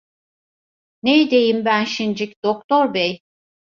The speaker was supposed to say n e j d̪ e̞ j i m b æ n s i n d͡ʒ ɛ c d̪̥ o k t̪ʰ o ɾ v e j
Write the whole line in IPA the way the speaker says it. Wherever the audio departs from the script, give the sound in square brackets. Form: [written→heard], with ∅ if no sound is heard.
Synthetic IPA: n e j d̪ e̞ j i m b æ n [s→ʃ] i n d͡ʒ [ɛ→i] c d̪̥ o k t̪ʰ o ɾ [v→b] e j